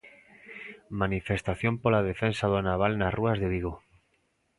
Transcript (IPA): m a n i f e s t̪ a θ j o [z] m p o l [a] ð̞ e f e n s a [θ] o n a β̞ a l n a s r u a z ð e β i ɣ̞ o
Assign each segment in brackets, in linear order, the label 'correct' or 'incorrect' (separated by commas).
incorrect, correct, incorrect